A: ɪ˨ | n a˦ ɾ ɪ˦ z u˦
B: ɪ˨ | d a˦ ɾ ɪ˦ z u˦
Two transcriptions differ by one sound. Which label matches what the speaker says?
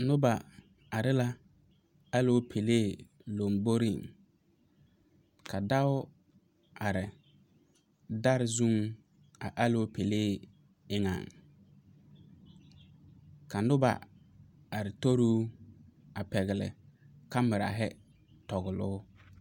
B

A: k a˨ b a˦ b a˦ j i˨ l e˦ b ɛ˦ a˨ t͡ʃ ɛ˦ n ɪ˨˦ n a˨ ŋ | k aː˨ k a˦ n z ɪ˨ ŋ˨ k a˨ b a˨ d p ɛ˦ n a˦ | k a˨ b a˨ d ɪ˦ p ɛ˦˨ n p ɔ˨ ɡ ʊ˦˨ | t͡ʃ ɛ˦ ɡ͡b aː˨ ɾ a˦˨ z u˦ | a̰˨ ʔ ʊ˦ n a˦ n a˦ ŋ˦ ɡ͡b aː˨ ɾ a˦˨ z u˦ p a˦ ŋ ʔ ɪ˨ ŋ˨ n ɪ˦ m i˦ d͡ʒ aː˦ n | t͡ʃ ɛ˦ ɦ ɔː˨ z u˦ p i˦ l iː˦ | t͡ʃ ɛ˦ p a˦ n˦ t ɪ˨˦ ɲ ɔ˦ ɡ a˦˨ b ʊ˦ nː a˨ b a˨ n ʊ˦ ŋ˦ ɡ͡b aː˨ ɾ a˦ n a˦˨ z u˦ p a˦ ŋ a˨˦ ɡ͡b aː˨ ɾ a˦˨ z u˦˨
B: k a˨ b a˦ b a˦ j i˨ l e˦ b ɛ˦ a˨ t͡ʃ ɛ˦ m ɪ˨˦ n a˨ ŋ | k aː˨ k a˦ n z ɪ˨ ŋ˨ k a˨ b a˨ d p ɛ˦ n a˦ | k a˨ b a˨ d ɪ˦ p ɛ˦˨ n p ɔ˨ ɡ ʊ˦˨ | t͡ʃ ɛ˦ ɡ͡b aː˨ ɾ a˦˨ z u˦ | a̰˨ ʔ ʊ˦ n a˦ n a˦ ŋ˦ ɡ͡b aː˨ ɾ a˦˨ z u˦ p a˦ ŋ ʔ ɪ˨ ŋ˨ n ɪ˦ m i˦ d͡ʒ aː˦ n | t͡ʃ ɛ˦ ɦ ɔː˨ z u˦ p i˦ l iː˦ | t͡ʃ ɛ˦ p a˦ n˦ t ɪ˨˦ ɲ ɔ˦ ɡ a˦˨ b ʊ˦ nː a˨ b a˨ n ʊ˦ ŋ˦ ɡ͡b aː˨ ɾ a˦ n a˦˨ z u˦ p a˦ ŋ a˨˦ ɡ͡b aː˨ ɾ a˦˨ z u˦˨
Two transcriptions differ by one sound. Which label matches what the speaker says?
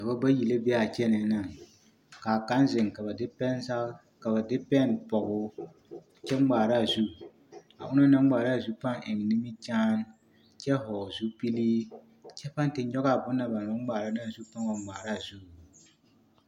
A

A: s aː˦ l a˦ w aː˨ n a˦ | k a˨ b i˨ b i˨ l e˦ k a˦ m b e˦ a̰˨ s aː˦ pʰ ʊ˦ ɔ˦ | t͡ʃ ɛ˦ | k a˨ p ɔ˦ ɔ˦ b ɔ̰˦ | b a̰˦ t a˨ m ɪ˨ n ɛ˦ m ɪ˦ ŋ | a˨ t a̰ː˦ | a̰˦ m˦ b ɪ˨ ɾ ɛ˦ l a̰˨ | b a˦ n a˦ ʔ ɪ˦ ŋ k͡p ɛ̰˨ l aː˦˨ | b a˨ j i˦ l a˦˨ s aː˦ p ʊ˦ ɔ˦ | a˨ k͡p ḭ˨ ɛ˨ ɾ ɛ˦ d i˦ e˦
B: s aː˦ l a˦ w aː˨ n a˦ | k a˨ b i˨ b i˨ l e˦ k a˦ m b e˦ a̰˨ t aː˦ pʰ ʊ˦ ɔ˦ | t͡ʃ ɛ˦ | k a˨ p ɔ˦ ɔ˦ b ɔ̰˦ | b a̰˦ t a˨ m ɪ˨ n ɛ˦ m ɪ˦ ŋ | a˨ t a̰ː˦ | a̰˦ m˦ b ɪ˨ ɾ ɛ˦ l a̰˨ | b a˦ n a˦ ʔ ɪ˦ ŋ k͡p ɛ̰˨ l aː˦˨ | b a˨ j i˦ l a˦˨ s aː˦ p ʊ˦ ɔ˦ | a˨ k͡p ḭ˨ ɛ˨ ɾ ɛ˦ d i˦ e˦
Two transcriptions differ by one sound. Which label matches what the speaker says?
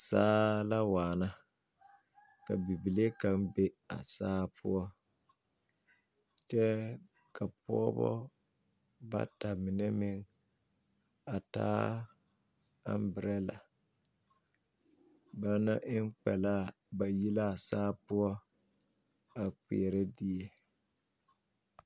A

